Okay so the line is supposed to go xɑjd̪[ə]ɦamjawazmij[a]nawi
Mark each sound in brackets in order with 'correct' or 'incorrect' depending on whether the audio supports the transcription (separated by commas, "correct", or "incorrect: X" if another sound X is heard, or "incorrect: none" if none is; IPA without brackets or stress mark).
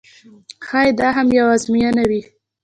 incorrect: ɑ, correct